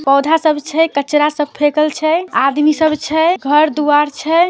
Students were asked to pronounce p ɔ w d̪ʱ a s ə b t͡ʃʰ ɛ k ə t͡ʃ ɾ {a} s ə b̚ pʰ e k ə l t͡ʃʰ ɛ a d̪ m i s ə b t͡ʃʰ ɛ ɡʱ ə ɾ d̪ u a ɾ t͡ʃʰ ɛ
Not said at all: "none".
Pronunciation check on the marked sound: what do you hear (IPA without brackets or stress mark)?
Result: a